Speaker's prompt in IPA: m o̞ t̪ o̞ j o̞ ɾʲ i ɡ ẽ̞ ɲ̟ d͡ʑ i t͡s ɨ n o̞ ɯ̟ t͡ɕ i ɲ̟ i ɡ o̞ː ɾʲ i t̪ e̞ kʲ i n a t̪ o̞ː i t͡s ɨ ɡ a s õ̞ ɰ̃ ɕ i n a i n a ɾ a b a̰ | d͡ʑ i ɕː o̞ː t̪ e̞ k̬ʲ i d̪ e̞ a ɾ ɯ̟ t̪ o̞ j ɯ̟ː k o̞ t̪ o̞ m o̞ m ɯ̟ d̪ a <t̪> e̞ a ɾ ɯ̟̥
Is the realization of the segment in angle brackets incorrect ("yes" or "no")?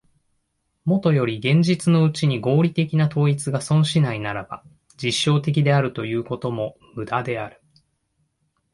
yes